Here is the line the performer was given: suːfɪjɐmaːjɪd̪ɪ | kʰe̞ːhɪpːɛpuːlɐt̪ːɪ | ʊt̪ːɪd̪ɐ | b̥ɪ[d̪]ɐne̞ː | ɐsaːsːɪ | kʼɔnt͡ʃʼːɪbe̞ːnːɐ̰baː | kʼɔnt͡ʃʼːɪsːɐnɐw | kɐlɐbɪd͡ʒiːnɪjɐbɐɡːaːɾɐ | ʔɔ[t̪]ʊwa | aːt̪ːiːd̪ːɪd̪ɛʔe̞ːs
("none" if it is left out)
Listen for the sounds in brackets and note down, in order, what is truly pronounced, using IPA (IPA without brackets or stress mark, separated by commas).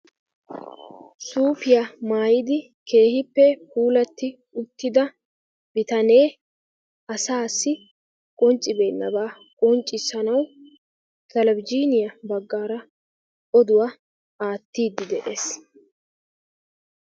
t̪, d̪